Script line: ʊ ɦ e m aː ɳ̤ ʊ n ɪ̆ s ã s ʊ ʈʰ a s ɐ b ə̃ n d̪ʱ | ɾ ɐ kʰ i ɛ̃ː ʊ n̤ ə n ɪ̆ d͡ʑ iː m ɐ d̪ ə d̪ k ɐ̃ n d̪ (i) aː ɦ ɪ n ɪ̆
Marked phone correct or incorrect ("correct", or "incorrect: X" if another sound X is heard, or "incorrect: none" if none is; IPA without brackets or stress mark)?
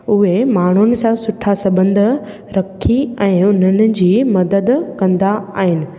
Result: incorrect: a